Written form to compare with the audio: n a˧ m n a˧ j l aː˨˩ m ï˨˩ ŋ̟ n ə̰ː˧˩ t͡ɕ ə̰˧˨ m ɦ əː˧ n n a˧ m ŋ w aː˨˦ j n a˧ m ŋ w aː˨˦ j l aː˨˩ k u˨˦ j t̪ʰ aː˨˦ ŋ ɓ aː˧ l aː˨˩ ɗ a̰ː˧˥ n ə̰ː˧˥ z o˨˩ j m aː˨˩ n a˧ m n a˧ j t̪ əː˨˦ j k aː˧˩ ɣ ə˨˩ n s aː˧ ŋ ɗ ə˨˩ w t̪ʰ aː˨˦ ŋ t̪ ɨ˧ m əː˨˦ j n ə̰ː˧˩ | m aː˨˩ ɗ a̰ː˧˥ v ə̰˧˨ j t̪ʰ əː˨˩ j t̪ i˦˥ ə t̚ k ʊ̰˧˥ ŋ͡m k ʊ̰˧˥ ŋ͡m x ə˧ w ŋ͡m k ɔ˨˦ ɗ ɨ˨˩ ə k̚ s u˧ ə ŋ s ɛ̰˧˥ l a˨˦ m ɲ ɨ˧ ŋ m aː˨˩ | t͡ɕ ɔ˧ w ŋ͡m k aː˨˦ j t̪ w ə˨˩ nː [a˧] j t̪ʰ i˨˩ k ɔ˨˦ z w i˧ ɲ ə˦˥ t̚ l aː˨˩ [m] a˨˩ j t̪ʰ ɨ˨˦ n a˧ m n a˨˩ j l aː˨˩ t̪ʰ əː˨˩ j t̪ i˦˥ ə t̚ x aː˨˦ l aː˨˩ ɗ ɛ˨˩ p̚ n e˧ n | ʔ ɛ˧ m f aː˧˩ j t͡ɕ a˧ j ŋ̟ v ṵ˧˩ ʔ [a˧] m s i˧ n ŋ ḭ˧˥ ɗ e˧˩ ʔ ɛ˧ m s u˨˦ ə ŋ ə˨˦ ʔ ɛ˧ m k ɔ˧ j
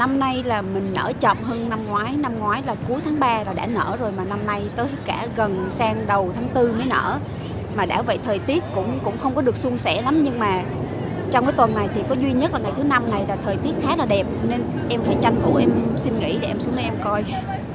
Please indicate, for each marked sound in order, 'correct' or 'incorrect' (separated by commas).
incorrect, incorrect, incorrect